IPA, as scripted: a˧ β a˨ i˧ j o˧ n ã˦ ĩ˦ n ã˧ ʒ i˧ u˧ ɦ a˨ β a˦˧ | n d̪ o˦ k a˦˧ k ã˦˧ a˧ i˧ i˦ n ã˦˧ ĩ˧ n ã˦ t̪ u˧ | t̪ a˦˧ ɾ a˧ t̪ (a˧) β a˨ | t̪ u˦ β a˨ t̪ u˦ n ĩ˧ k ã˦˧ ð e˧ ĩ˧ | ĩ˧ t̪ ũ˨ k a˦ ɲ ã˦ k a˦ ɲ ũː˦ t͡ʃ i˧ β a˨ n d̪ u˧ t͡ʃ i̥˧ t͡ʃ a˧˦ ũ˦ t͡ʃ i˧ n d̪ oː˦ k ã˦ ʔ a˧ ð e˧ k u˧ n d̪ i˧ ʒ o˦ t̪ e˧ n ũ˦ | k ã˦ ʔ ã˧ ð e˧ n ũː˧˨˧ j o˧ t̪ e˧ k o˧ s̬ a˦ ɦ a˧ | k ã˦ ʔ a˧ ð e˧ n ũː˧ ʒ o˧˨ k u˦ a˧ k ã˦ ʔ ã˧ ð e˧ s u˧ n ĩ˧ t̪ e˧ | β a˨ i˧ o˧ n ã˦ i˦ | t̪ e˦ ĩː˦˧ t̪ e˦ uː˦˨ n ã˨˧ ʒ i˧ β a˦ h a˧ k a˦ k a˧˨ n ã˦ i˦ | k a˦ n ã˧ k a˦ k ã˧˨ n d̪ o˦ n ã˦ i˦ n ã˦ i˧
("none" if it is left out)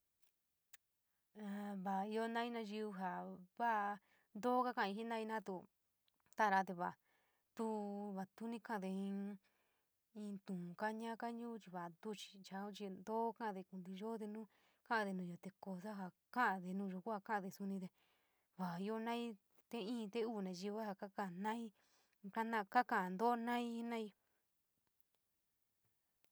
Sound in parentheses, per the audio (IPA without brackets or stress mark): e˧